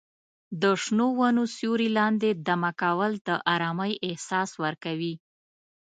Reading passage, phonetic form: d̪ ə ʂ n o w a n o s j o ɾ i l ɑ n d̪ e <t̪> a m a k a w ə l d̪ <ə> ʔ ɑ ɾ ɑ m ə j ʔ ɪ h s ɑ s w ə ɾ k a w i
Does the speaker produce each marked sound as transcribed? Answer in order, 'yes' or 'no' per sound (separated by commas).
no, yes